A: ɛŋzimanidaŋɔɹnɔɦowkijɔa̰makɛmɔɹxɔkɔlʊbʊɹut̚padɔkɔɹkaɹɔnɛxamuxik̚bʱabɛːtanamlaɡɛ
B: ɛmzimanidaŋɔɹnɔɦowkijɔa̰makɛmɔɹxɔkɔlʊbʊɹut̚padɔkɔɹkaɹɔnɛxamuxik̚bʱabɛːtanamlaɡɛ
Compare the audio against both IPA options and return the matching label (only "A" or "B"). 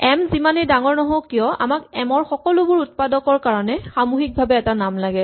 B